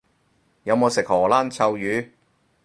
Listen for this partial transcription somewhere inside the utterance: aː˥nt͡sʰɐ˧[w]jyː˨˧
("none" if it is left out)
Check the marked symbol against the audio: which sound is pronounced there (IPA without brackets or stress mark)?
w